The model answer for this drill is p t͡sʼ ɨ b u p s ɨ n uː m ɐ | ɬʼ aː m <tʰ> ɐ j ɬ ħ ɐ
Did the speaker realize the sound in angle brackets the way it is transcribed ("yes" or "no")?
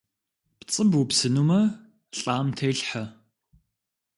yes